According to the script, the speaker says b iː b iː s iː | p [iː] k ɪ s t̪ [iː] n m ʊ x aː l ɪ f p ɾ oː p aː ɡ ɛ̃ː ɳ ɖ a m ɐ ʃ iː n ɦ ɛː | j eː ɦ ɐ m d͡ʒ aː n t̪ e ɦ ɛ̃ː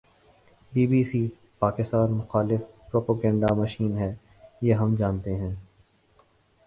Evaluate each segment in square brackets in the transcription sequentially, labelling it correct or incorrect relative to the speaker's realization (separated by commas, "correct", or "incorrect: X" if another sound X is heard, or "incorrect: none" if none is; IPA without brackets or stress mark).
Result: incorrect: aː, incorrect: aː